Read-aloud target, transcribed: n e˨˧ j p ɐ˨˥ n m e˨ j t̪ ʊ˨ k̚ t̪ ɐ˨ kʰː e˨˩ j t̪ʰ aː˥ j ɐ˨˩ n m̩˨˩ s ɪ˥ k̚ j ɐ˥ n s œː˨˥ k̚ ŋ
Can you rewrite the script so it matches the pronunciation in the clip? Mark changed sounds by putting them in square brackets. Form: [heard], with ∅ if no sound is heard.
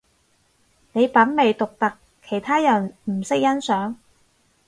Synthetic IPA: n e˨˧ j p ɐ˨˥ n m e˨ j t̪ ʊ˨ k̚ t̪ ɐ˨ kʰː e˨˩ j t̪ʰ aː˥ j ɐ˨˩ n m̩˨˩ s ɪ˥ k̚ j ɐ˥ n s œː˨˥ [∅] ŋ